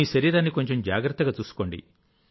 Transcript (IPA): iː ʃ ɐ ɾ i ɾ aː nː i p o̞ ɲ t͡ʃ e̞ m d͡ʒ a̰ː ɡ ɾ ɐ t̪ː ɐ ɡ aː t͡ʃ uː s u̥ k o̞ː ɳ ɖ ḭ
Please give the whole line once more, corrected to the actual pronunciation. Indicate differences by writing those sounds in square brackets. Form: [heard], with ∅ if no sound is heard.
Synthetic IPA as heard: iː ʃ ɐ ɾ [iː] ɾ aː nː i [k] o̞ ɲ t͡ʃ e̞ m d͡ʒ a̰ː ɡ ɾ ɐ t̪ː ɐ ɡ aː t͡ʃ uː s u̥ k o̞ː ɳ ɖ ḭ